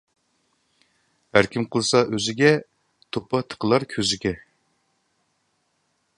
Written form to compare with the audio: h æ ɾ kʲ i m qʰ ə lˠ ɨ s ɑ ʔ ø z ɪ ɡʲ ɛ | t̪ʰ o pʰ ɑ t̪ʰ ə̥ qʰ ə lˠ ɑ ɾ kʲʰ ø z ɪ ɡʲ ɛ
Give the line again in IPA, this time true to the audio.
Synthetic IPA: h æ ɾ kʲ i m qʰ ə lˠ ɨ s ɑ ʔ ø z ɪ ɡʲ ɛ | t̪ʰ o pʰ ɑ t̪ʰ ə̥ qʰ ə lˠ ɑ ɾ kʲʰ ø z ɪ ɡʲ ɛ